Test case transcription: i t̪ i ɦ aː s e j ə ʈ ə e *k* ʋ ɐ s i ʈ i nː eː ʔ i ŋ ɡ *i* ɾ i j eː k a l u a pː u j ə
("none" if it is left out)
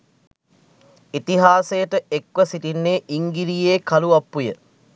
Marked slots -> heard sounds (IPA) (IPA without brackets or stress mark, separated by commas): k, i